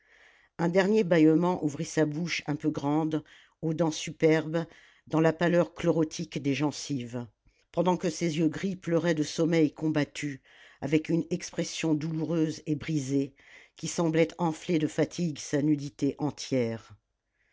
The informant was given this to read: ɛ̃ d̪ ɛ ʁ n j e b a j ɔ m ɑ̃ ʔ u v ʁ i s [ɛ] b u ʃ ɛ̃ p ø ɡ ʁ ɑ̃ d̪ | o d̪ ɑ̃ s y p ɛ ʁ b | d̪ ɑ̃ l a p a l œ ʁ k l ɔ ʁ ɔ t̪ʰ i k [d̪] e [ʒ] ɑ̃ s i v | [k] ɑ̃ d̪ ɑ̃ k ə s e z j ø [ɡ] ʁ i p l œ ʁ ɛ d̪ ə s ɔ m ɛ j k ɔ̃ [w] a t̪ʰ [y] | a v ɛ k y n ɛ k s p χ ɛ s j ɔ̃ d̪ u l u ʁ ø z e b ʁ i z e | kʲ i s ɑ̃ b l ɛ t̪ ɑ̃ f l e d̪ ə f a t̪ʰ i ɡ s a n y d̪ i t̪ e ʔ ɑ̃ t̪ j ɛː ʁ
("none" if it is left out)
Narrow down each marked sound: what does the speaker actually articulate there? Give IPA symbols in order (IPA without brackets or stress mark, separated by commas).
a, d̪, ʒ, p, ɡ, b, y